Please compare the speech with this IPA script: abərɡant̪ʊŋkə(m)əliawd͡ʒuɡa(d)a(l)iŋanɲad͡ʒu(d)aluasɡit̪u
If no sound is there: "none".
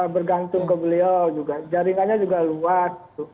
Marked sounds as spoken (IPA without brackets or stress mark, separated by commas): b, d͡ʒ, ɾ, ɡ